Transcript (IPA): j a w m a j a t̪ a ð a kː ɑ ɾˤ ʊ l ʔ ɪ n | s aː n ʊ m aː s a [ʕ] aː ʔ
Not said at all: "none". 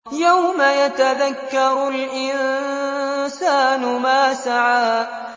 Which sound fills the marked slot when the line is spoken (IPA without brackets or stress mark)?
ʕ